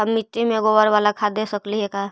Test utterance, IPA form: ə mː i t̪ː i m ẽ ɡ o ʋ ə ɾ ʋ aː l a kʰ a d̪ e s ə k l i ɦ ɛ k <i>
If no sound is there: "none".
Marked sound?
a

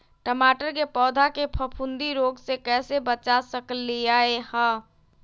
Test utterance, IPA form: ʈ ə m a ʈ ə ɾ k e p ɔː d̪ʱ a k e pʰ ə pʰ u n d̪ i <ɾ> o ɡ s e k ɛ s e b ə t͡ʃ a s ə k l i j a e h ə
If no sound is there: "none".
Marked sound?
ɾ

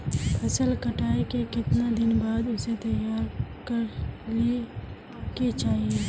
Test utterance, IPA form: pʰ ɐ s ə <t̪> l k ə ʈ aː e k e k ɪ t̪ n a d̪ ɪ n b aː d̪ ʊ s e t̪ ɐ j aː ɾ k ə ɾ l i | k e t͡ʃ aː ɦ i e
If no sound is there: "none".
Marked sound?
none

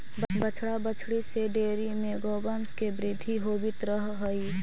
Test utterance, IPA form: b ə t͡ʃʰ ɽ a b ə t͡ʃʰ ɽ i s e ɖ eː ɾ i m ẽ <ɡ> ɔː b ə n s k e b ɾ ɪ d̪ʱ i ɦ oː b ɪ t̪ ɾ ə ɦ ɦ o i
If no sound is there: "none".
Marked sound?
ɡ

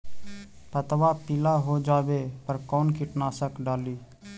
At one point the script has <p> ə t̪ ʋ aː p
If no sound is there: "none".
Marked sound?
p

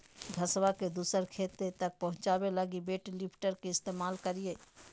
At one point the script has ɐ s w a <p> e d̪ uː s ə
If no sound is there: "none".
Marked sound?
k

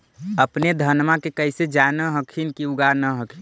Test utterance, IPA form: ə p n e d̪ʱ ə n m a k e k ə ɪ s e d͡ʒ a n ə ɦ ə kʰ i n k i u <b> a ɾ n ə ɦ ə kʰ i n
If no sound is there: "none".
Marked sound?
ɡ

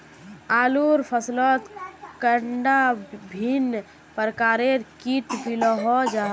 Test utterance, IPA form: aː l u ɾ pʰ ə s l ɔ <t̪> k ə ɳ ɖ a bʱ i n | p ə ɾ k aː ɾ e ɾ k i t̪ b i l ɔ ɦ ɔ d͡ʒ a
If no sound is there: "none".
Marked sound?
t̪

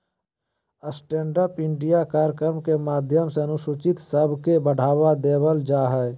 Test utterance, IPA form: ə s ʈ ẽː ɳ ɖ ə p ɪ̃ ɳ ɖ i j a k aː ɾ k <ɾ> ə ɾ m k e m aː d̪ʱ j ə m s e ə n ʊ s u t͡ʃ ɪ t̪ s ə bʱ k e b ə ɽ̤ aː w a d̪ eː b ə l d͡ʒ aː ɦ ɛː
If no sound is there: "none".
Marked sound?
ɾ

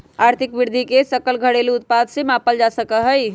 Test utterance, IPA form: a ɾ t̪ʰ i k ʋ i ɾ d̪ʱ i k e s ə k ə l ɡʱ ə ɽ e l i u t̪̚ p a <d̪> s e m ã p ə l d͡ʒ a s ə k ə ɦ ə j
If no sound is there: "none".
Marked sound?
d̪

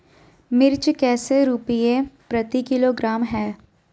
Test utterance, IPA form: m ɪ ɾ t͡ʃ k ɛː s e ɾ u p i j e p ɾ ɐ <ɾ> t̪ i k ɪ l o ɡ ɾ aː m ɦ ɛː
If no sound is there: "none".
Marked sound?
none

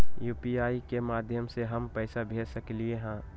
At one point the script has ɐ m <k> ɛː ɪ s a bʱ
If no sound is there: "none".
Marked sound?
p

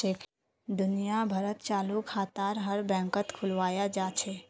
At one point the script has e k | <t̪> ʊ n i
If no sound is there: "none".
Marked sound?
d̪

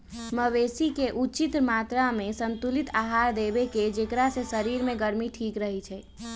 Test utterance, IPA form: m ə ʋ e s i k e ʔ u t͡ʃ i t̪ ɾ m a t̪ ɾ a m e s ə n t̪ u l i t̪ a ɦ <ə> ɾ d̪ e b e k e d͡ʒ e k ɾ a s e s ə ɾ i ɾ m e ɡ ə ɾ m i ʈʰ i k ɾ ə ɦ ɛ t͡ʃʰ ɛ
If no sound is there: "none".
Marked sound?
a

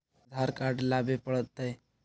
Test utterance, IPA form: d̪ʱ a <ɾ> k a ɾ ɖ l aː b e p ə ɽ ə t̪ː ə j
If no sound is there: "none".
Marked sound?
ɾ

